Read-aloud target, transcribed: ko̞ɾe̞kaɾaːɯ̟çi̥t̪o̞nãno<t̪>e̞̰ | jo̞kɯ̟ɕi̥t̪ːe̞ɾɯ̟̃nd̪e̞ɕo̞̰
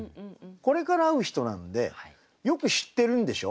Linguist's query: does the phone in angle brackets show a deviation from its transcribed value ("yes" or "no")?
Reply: yes